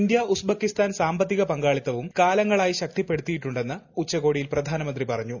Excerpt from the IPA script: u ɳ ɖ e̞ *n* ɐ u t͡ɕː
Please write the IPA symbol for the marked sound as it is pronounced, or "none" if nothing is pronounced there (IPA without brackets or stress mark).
nː